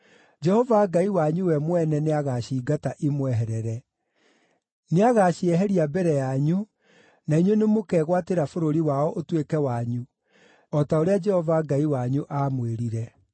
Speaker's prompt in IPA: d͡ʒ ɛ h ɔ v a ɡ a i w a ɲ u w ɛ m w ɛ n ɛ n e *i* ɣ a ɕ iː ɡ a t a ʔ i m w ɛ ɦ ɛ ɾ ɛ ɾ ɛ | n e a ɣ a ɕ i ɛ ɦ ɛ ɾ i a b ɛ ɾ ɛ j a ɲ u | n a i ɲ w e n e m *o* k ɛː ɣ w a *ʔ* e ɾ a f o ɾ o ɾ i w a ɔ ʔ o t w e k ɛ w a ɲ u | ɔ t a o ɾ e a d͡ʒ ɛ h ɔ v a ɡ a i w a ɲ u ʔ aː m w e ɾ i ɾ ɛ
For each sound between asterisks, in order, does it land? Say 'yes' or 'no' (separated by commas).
no, yes, no